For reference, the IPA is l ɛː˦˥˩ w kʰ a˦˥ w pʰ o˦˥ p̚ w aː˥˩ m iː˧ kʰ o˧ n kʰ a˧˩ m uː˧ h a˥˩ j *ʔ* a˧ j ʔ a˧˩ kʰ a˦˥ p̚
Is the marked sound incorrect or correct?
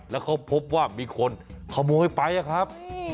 incorrect